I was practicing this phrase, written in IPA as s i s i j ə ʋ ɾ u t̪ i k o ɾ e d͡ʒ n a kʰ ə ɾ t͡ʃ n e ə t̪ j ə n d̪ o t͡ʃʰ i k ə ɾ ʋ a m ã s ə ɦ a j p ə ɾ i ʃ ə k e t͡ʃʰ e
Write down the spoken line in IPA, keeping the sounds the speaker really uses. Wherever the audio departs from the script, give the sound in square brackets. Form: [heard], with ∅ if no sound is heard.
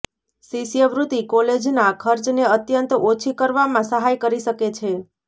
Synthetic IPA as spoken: s i s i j ə ʋ ɾ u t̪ i k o [l] e d͡ʒ n a kʰ ə ɾ t͡ʃ n e ə t̪ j ə n [t̪] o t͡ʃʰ i k ə ɾ ʋ a m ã s ə ɦ a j [k] ə ɾ i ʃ ə k e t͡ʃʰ e